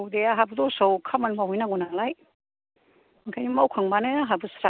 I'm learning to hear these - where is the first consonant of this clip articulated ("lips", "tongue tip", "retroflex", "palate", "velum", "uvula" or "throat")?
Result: tongue tip